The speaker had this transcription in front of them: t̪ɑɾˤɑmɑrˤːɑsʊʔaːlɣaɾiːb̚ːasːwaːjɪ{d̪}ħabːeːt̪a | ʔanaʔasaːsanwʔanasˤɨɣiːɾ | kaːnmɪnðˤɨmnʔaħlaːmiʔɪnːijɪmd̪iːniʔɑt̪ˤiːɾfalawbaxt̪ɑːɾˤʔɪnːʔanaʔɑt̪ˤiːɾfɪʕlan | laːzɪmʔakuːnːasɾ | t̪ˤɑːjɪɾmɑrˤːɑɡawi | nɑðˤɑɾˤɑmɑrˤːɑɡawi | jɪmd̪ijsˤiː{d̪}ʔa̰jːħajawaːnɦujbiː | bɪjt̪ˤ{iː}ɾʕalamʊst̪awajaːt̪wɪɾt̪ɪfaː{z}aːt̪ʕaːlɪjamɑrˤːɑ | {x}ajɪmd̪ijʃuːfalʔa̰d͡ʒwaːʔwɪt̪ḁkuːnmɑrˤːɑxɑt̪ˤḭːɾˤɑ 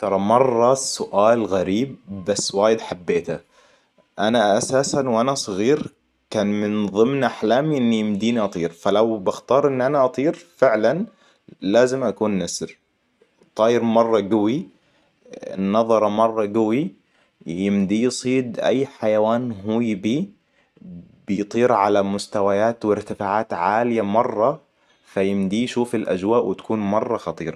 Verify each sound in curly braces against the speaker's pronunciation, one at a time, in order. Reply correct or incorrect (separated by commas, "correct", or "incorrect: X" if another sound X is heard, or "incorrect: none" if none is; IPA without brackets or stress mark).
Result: correct, correct, correct, incorrect: ʕ, incorrect: f